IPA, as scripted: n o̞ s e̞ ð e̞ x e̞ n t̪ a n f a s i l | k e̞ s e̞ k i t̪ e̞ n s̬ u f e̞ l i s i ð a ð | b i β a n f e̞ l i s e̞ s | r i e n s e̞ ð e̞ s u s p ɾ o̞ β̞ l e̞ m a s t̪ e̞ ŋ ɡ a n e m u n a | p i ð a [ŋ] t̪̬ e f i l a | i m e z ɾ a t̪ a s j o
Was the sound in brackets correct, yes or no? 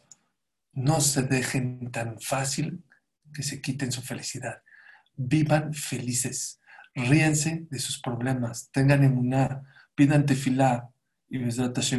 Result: no